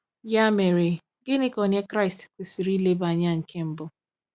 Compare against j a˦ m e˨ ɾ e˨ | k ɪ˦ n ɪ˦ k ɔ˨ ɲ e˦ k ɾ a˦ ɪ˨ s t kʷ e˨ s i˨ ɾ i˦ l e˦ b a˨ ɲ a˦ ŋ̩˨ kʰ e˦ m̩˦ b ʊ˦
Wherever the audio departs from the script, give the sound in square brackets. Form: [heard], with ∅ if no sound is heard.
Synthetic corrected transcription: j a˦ m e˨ ɾ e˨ | [ɡ] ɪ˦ n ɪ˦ k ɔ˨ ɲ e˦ k ɾ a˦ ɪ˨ s t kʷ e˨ s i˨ ɾ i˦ l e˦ b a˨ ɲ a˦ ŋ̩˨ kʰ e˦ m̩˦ b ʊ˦